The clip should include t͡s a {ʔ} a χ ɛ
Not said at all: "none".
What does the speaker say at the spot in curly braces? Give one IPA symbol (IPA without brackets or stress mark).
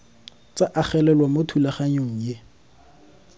ʔ